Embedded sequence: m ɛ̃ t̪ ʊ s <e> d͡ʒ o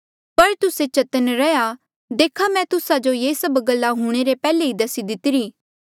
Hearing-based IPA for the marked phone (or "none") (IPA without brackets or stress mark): a